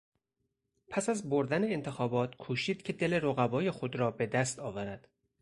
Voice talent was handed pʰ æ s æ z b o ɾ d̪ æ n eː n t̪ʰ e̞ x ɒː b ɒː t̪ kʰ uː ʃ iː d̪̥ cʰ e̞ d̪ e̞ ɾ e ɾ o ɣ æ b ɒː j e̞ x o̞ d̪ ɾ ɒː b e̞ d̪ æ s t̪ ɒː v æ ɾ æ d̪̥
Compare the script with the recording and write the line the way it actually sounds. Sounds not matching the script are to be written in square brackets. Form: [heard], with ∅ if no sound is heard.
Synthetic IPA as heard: pʰ æ s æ z b o ɾ d̪ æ n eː n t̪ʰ e̞ x ɒː b ɒː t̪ kʰ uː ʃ iː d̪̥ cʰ e̞ d̪ e̞ [l] e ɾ o ɣ æ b ɒː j e̞ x o̞ d̪ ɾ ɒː b e̞ d̪ æ s t̪ ɒː v æ ɾ æ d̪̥